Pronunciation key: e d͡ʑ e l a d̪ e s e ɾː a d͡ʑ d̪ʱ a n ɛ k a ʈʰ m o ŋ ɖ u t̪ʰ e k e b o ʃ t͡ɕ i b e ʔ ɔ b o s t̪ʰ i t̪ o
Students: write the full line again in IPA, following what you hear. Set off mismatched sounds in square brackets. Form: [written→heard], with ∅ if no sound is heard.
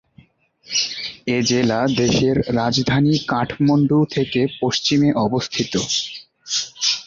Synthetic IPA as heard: e d͡ʑ e l a d̪ e [s→ʃ] e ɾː a d͡ʑ d̪ʱ a n [ɛ→i] k a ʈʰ m o [ŋ→ɳ] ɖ u t̪ʰ e k e [b→p] o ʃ t͡ɕ i [b→m] e ʔ ɔ b o s t̪ʰ i t̪ o